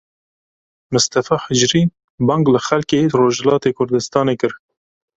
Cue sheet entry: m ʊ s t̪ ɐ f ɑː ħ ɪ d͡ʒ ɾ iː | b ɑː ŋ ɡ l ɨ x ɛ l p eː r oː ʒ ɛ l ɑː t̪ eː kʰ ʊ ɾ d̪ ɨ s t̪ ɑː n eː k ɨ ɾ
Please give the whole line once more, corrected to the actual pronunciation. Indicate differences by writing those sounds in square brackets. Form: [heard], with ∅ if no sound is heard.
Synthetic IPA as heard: m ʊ s t̪ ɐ f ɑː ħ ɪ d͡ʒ ɾ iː | b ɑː ŋ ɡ l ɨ x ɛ l [k] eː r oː ʒ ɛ l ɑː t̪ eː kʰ ʊ ɾ d̪ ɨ s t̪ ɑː n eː k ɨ ɾ